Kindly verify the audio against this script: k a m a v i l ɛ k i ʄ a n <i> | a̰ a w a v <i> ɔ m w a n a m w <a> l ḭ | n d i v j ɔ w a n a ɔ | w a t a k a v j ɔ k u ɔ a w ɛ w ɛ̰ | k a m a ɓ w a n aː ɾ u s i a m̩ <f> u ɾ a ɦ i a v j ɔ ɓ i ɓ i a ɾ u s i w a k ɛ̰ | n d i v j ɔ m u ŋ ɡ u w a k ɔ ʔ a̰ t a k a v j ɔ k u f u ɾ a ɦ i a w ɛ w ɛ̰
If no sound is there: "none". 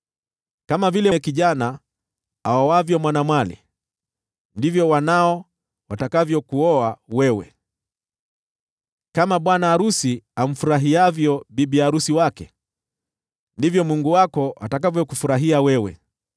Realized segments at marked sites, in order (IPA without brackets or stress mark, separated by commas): a, j, a, f